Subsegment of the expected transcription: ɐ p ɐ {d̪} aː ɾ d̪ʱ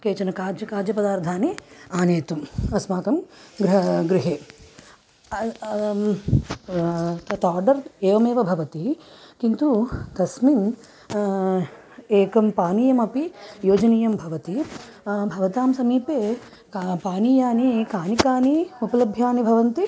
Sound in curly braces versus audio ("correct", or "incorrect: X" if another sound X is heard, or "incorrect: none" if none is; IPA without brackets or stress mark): correct